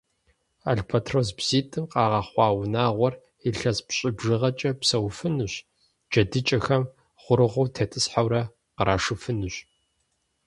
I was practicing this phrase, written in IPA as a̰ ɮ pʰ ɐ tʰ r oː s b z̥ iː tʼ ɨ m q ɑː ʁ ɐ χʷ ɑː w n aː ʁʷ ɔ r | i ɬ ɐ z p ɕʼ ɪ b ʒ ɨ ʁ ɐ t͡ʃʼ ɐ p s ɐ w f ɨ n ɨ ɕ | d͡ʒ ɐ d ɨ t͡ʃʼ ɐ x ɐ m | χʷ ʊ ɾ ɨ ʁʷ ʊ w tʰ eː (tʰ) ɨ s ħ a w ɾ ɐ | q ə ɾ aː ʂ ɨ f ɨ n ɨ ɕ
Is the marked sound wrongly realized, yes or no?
no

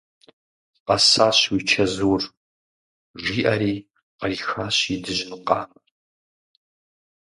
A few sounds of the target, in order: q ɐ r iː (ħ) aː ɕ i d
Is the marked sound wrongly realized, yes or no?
yes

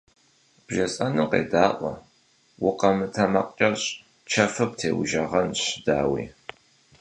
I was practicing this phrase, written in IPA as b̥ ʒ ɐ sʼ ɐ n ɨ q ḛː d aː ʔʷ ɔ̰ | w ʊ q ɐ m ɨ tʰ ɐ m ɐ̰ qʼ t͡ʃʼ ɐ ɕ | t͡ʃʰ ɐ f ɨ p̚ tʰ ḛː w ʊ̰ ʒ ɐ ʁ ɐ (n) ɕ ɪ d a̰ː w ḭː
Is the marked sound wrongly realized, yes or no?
no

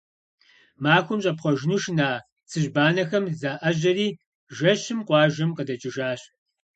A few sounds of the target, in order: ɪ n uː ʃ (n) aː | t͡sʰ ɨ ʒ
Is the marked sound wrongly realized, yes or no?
no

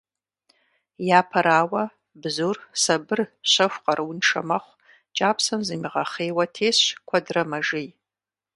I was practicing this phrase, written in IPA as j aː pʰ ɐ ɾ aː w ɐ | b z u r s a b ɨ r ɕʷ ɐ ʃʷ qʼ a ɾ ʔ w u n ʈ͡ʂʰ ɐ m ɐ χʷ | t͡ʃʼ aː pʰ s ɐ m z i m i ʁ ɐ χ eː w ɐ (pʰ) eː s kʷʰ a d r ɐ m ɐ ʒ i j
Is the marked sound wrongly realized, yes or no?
yes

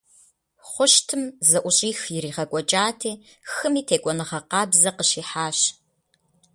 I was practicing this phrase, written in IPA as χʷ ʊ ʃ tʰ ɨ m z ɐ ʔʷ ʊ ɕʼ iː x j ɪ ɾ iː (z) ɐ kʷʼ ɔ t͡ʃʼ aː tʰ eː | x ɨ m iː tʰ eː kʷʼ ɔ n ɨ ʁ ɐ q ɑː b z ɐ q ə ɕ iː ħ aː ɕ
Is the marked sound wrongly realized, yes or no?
yes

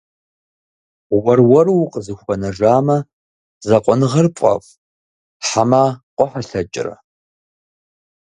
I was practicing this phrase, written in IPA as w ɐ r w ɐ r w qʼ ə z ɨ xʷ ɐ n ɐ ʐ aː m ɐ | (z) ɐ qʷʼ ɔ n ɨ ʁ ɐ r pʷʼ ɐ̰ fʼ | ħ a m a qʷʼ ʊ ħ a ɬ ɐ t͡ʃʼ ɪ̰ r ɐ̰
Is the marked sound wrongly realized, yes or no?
no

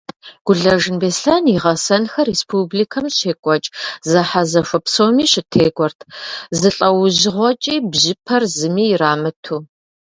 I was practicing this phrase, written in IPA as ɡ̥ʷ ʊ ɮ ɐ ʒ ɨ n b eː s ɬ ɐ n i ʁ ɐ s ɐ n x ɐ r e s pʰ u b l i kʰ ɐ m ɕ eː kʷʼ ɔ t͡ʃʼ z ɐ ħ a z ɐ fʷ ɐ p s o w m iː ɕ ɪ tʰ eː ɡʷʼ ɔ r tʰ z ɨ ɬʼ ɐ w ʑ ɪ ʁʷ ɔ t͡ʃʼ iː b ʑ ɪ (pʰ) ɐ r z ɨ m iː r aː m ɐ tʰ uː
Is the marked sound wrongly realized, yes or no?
no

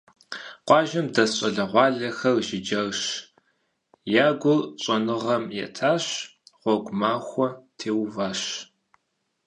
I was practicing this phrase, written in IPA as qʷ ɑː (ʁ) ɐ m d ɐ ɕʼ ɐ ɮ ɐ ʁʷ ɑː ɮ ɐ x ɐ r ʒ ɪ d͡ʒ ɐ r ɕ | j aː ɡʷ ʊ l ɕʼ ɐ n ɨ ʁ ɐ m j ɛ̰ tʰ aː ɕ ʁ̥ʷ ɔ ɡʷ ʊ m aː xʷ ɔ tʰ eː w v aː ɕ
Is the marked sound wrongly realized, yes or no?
yes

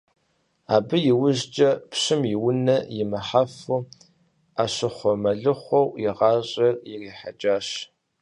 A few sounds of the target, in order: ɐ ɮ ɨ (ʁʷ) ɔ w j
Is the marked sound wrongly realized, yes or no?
yes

